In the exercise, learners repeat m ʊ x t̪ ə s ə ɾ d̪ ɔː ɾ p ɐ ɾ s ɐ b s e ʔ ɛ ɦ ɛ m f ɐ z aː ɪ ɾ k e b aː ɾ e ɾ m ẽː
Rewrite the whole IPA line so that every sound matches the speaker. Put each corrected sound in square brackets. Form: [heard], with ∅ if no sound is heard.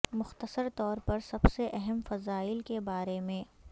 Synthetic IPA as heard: m ʊ x t̪ ə s ə ɾ [t̪] ɔː ɾ p ɐ ɾ s ɐ b s e ʔ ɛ ɦ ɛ m f ɐ z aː ɪ [l] k e b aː ɾ e [∅] m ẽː